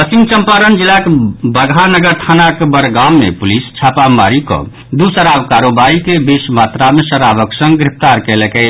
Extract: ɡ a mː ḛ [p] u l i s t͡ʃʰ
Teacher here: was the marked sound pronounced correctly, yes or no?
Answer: yes